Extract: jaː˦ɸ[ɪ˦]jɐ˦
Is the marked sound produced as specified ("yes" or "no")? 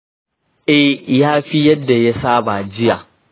no